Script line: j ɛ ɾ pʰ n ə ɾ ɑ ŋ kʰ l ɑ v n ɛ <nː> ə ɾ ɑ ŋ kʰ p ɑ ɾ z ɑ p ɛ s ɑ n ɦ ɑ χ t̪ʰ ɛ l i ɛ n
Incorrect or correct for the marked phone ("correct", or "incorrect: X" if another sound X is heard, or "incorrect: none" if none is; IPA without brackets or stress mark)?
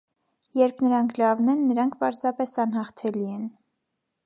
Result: correct